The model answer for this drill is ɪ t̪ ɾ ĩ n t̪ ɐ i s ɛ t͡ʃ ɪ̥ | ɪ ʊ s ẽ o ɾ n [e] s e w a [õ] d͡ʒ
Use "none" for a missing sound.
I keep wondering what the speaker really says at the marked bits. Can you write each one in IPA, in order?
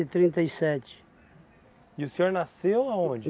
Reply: a, õ

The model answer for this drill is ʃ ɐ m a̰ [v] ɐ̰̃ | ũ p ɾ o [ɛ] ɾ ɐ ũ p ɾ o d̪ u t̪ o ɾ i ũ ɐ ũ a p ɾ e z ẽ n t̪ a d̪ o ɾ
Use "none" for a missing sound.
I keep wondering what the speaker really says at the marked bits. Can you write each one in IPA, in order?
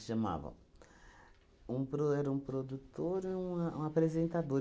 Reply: v, ɛ

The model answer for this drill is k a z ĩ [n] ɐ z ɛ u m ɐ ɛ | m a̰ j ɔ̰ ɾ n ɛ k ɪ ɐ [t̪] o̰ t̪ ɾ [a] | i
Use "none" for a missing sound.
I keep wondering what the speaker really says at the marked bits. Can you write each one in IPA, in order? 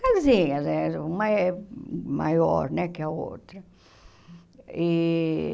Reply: ɲ, none, ɐ

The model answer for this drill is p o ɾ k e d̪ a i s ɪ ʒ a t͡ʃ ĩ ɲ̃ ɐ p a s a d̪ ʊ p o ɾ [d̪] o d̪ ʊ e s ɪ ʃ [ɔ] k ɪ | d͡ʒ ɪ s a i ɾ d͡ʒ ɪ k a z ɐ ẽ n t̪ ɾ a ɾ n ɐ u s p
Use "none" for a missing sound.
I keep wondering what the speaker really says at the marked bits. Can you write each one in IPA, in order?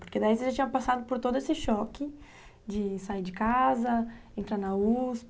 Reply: t̪, ɔ

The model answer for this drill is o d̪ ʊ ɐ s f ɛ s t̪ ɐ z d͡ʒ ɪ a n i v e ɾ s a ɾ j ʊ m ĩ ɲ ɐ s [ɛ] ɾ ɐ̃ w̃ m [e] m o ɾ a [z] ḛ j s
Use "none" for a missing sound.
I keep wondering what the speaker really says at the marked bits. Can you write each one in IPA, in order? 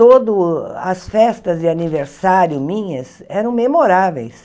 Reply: ɛ, e, v

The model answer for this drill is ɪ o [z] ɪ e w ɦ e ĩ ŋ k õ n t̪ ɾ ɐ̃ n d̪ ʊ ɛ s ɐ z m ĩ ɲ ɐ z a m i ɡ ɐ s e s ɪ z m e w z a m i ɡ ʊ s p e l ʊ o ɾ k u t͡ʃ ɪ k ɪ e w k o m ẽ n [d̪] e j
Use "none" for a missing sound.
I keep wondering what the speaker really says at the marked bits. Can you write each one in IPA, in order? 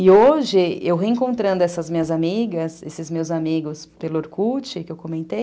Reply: ʒ, t̪

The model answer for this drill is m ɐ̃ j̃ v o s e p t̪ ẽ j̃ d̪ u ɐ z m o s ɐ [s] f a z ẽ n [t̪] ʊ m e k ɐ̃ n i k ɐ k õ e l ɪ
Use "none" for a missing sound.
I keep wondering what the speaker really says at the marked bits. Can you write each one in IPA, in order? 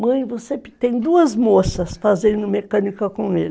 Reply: s, d̪

